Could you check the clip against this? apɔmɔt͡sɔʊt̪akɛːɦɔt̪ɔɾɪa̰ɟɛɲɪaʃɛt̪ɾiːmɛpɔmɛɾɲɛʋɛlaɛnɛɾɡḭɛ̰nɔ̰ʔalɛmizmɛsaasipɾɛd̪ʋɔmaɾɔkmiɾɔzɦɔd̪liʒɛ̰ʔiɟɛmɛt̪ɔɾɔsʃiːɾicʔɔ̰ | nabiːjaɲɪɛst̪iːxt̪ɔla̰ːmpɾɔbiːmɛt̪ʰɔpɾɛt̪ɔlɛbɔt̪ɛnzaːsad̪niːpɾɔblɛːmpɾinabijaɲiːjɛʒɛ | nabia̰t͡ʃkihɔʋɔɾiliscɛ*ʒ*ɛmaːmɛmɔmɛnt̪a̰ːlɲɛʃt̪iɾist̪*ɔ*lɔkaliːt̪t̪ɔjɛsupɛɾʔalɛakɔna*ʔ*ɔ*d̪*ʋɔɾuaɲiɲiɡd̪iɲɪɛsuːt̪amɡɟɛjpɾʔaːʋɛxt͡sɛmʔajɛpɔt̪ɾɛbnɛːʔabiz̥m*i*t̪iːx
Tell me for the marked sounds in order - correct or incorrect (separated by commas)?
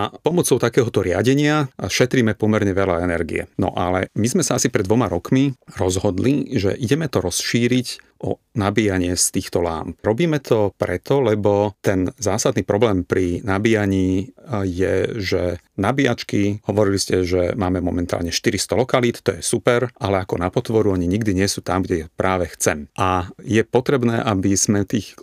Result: correct, correct, incorrect, incorrect, incorrect